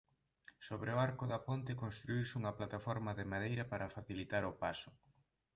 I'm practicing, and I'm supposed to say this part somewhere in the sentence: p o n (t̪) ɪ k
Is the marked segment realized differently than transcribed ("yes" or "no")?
no